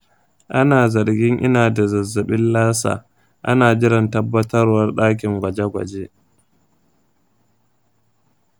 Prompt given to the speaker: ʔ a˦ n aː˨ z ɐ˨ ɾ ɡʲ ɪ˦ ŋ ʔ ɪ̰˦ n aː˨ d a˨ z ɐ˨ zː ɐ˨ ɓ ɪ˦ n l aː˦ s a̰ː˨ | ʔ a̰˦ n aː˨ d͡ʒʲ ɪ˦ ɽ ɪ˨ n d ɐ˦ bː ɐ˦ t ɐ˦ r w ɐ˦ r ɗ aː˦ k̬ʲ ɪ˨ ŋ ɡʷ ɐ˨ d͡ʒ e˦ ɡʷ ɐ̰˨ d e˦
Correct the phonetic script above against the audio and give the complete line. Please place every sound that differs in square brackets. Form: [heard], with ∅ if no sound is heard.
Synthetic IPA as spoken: ʔ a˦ n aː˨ z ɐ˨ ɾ ɡʲ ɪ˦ ŋ ʔ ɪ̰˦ n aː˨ d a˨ z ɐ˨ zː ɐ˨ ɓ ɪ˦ n l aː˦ s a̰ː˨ | ʔ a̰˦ n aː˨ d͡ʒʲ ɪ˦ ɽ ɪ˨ n [t] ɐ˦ bː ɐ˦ t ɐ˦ r w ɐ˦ r ɗ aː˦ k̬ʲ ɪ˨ ŋ ɡʷ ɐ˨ d͡ʒ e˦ ɡʷ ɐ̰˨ [d͡ʒ] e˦